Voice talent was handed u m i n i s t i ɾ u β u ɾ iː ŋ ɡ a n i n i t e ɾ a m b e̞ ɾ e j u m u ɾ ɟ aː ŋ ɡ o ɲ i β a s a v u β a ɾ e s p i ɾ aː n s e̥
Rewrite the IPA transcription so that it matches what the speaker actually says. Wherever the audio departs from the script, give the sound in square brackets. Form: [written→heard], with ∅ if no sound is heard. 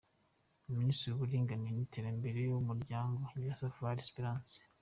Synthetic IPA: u m i n i s t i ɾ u β u ɾ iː ŋ ɡ a n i n i t e ɾ a m b e̞ ɾ e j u m u ɾ ɟ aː ŋ ɡ o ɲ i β a s a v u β a ɾ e s p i ɾ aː n s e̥